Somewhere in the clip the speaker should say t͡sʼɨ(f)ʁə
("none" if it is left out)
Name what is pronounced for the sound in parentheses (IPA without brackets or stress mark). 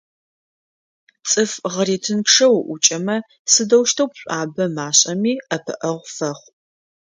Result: f